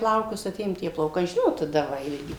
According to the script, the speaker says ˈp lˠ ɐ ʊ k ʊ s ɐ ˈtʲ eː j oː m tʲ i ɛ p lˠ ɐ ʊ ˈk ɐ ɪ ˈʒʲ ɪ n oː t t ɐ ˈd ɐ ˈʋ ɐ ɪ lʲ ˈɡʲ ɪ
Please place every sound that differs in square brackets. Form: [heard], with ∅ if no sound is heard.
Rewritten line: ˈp lˠ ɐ ʊ k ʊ s ɐ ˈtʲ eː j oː m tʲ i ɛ p lˠ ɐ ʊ ˈk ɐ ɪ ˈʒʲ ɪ n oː t t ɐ ˈd ɐ ˈʋ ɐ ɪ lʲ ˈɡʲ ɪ